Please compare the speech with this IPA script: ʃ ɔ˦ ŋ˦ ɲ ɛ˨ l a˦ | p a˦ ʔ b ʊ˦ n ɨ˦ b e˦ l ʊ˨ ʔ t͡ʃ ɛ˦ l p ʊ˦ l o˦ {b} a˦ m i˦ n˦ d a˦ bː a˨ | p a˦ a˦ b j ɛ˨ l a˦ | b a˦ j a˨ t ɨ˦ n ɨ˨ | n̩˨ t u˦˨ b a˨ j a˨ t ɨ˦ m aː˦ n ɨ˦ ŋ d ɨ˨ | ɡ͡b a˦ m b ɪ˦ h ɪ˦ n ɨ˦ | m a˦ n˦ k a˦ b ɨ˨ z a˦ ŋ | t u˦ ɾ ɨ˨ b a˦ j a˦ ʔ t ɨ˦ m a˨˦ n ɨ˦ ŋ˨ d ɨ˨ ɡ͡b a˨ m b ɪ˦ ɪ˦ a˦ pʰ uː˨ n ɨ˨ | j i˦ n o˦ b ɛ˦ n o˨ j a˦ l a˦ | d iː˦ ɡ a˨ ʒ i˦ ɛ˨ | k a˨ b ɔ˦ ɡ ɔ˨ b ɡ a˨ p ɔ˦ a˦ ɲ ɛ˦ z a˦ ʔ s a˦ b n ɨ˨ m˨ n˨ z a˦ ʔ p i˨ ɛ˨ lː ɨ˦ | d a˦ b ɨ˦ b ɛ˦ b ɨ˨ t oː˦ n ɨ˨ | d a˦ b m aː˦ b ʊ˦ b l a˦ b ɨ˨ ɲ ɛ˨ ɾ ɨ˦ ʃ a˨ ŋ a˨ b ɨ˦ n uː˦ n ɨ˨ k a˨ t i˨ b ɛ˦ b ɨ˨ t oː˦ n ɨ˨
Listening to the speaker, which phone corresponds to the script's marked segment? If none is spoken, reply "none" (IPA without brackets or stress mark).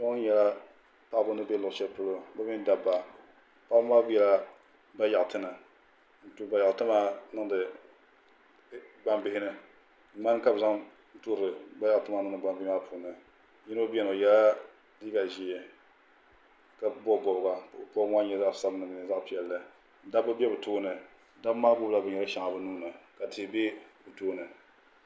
b